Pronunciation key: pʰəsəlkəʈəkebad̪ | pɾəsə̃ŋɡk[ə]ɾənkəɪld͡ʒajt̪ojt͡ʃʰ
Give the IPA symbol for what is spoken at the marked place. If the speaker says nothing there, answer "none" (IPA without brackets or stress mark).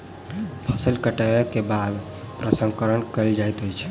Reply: ə